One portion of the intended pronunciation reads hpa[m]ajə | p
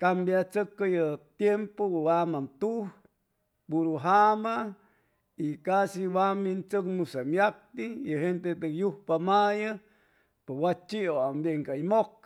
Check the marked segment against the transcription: correct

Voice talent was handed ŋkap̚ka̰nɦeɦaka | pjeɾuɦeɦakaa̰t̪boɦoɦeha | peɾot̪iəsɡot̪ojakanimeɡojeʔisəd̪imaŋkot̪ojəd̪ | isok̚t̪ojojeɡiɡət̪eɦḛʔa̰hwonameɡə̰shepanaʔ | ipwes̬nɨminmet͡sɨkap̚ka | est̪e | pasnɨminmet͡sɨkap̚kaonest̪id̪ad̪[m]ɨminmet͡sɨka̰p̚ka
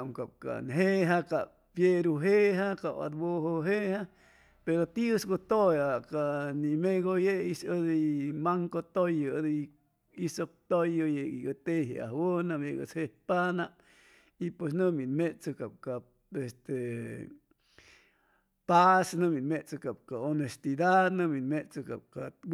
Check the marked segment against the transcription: incorrect: n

